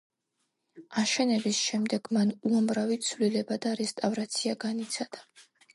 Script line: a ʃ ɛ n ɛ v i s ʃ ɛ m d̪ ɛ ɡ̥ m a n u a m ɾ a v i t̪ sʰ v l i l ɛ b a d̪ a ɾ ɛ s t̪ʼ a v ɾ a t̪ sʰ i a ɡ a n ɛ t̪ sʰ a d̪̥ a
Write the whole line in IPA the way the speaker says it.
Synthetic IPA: a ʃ ɛ n ɛ b i s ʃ ɛ m d̪ ɛ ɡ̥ m a n u a m ɾ a v i t̪ sʰ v l i l ɛ b a d̪ a ɾ ɛ s t̪ʼ a v ɾ a t̪ sʰ i a ɡ a n i t̪ sʰ a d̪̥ a